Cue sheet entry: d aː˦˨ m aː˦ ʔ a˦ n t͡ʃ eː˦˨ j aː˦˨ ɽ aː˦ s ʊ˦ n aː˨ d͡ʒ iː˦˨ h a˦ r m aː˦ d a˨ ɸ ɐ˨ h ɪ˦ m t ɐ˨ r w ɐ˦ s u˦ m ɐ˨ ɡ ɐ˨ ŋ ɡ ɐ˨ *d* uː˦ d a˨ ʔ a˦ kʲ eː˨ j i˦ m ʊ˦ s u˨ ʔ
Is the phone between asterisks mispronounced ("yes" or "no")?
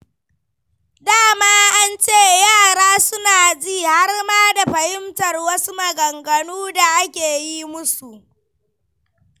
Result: yes